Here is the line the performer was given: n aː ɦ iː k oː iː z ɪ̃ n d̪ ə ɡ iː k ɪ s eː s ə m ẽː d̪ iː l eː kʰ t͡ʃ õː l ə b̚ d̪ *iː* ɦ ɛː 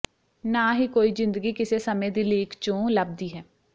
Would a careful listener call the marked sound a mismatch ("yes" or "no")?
no